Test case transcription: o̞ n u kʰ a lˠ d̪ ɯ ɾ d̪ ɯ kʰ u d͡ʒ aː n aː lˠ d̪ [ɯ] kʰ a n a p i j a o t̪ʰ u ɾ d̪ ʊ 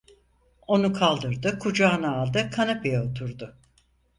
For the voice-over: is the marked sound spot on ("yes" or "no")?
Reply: yes